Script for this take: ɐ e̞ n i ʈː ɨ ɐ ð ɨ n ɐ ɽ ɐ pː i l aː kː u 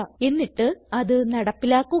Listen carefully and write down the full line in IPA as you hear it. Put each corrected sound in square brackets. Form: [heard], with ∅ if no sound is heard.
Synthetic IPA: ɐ e̞ [nː] i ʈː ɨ ɐ ð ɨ n ɐ ɽ ɐ pː i l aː kː u